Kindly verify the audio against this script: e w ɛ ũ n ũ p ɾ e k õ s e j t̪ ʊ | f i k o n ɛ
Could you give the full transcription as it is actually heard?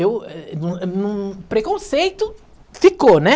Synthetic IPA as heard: e w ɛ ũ n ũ p ɾ e k õ s e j t̪ ʊ | f i k o n ɛ